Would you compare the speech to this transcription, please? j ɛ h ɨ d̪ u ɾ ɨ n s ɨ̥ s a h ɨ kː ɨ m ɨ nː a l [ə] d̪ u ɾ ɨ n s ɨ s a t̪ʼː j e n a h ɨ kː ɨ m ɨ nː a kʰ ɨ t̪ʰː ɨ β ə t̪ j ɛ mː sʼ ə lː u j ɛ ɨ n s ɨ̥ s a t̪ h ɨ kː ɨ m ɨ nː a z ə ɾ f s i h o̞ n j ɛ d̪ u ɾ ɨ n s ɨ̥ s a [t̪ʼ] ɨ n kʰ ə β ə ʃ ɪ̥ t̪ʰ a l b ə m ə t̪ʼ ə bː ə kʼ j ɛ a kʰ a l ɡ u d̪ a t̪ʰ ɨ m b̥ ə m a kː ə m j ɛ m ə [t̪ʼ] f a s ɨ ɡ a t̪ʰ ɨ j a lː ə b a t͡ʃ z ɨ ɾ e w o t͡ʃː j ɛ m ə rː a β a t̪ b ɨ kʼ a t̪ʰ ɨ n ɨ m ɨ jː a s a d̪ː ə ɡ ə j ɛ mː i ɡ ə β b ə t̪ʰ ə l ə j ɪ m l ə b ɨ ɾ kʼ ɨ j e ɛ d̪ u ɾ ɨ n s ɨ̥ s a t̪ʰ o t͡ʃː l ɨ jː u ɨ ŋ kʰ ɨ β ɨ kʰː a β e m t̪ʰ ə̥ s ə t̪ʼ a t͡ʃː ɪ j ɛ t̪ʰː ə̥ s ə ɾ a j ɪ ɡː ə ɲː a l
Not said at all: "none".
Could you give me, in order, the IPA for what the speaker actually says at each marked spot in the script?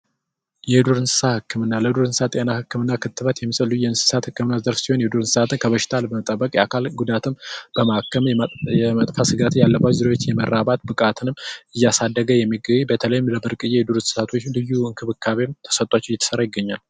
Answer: ə, t̪, t̪ʼ

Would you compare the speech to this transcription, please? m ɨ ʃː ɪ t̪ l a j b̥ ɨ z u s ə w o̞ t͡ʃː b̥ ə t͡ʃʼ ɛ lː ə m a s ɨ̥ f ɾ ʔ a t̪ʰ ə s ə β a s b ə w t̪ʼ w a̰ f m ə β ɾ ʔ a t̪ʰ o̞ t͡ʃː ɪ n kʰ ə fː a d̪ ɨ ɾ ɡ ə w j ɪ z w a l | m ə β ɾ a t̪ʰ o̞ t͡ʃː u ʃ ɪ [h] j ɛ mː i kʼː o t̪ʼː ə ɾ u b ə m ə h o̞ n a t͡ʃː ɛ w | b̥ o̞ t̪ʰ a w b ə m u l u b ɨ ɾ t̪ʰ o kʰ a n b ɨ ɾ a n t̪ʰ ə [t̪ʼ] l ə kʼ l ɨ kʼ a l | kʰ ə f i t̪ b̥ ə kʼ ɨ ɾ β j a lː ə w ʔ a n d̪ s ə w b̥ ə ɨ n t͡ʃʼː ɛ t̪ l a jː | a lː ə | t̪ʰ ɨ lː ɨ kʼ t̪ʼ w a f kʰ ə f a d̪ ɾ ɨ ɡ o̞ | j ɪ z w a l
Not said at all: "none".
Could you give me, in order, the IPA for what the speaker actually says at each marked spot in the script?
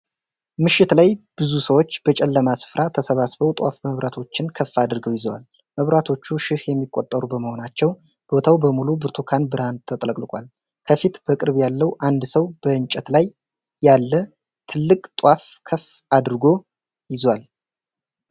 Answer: h, t̪ʼ

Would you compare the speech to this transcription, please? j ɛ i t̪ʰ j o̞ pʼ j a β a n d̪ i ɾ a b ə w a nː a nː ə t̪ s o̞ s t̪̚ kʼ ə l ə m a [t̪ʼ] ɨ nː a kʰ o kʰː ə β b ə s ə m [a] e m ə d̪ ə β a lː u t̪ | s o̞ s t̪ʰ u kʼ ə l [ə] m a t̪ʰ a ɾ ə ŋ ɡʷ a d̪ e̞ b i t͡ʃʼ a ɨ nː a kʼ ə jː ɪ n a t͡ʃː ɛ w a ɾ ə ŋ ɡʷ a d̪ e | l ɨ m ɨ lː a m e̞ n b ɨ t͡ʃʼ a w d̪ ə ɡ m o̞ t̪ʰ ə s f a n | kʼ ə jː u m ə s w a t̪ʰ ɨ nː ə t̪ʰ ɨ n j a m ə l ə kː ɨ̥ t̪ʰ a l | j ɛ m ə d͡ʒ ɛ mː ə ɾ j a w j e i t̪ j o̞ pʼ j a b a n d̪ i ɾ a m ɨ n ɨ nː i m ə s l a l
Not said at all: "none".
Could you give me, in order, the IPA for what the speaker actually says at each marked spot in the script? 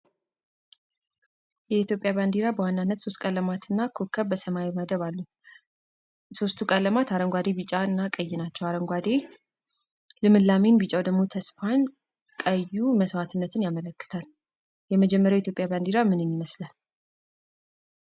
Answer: t̪, a, ə

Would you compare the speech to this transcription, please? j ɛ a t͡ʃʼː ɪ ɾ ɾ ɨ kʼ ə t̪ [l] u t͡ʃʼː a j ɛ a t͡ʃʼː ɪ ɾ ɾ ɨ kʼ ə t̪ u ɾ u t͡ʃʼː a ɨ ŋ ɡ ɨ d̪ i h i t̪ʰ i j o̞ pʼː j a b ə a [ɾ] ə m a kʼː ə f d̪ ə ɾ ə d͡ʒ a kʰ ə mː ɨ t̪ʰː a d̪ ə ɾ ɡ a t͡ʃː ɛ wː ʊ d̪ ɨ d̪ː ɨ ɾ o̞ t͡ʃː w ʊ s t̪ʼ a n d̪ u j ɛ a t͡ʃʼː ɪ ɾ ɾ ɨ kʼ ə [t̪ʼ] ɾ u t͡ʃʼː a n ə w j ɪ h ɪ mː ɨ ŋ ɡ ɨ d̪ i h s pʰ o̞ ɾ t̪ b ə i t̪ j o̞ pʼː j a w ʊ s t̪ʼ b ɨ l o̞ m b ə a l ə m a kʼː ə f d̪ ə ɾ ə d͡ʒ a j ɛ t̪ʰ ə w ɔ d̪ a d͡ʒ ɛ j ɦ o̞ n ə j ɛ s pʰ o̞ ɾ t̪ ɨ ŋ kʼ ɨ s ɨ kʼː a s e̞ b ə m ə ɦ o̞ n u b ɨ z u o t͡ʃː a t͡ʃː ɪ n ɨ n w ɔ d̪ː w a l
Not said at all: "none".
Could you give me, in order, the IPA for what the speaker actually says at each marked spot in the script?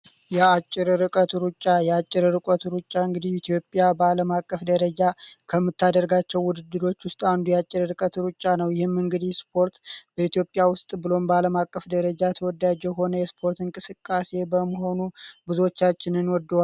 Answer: ɾ, l, t̪

